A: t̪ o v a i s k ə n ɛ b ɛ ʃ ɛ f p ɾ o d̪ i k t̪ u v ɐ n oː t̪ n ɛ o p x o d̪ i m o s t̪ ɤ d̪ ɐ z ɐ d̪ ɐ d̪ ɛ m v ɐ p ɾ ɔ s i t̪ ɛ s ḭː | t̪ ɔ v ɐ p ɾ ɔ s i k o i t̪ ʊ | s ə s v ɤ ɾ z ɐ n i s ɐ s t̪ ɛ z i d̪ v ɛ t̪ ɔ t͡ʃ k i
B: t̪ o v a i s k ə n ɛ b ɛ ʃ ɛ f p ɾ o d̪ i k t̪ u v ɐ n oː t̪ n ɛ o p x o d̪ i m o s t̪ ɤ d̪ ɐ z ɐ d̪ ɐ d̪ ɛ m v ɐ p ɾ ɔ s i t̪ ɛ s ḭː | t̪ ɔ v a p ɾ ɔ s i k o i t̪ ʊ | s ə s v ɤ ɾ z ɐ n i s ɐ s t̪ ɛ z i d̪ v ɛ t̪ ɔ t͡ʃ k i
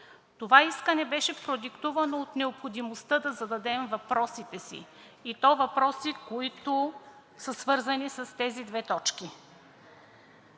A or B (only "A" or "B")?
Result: A